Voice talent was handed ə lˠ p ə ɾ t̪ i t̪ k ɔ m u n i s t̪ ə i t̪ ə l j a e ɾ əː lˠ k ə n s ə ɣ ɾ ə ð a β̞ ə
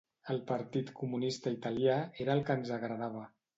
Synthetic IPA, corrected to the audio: ə lˠ p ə ɾ t̪ i t̪ k u m u n i s t̪ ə i t̪ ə l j a e ɾ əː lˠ k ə n z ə ɣ ɾ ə ð a β̞ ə